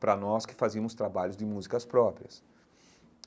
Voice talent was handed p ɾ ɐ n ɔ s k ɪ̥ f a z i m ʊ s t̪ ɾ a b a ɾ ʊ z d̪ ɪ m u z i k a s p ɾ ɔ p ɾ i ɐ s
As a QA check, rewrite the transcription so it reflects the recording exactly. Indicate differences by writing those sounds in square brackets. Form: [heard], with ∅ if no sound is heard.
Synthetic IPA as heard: p ɾ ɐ n ɔ s k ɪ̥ f a z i m ʊ s t̪ ɾ a b a [ʎ] ʊ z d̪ ɪ m u z i k [ɐ] s p ɾ ɔ p ɾ i ɐ s